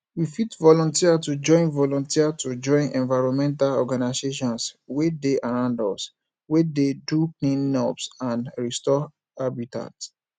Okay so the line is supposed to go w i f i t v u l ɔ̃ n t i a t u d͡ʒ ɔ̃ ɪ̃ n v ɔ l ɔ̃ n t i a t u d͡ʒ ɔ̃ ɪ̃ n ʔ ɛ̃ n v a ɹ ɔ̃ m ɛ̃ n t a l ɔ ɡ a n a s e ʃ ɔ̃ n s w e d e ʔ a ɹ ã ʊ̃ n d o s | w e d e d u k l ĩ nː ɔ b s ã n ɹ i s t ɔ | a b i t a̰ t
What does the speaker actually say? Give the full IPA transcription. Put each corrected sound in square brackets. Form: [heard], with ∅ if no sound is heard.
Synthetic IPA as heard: w i f i t v [ɔ] l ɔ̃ n t i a t u d͡ʒ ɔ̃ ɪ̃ n v ɔ l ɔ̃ n t i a t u d͡ʒ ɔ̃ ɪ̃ n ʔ ɛ̃ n v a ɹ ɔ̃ m ɛ̃ n t a l ɔ ɡ a n a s e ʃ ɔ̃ n s w e d e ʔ a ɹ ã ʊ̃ n d [ɔ] s | w e d e d u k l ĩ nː ɔ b s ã n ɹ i s t ɔ | a b i t a̰ t